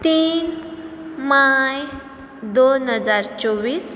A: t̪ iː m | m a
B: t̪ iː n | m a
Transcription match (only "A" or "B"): B